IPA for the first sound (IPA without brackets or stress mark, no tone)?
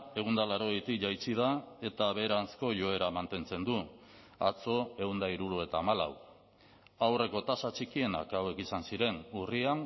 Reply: e̞